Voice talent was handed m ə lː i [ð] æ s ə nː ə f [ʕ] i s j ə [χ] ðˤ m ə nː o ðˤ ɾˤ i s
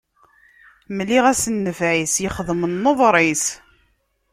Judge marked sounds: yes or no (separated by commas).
no, yes, yes